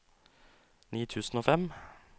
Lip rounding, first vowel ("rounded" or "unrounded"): unrounded